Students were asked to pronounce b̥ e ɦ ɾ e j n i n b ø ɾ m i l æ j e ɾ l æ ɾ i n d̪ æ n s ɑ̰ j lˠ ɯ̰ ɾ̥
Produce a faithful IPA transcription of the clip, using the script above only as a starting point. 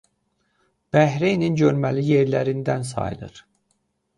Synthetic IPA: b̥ æ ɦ ɾ e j n i n ɟ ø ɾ m æ l i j e ɾ l æ ɾ i n d̪ æ n s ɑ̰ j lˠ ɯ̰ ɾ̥